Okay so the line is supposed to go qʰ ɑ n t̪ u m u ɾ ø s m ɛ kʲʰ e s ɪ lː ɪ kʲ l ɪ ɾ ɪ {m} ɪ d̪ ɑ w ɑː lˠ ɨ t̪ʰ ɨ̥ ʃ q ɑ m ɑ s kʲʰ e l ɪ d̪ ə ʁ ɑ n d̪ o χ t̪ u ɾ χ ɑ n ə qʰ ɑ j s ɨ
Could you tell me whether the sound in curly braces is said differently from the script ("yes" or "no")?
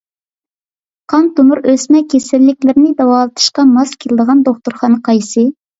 yes